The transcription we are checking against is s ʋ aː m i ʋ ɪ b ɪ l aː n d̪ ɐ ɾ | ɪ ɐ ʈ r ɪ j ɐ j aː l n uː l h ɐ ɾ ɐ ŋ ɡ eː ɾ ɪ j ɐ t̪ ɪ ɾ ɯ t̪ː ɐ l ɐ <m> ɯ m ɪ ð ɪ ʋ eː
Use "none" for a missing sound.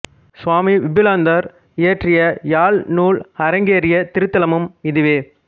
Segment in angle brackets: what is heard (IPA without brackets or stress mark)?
m